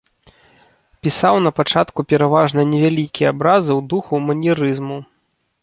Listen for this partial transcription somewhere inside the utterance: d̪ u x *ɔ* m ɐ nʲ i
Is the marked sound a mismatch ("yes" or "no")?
yes